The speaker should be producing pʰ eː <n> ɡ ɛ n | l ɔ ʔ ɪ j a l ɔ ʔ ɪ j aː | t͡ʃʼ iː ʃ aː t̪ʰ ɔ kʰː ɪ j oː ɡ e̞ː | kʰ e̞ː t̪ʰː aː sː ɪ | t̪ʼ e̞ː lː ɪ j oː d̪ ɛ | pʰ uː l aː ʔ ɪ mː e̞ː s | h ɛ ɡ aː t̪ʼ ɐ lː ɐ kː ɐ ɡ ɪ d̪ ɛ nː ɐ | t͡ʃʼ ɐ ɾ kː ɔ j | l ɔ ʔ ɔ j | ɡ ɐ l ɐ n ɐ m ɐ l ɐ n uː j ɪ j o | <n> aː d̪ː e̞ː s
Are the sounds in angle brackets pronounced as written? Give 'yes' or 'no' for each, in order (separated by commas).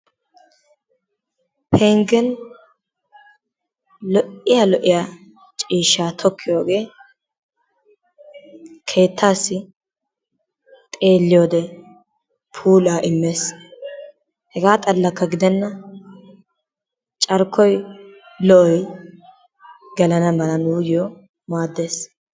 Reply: no, no